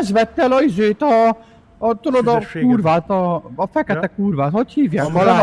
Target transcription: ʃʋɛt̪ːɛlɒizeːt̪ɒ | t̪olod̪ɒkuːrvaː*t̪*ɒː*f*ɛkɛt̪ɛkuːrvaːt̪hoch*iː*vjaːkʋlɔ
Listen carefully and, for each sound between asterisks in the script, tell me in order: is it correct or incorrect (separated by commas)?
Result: correct, correct, correct